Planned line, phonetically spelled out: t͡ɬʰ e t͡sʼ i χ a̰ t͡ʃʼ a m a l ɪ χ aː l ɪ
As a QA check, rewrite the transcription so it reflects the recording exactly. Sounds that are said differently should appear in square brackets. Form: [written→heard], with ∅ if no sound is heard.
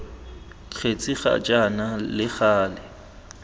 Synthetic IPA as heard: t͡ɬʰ e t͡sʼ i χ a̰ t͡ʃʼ a [m→n] a l ɪ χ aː l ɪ